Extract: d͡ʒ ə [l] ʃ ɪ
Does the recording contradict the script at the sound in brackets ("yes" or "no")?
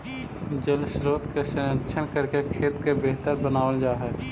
no